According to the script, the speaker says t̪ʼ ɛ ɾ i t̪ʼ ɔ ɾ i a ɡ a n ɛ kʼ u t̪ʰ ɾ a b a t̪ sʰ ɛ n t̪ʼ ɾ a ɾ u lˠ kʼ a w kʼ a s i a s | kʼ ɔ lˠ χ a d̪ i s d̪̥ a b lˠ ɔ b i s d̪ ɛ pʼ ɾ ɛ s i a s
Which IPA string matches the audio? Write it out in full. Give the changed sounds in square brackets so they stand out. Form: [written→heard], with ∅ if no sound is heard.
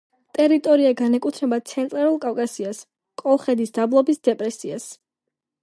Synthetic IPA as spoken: t̪ʼ ɛ ɾ i t̪ʼ ɔ ɾ i a ɡ a n ɛ kʼ u t̪ʰ ɾ [a→ɛ] b a t̪ sʰ ɛ n t̪ʼ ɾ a ɾ u lˠ kʼ a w kʼ a s i a s | kʼ ɔ lˠ χ [a→ɛ] d̪ i s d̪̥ a b lˠ ɔ b i s d̪ ɛ pʼ ɾ ɛ s i a s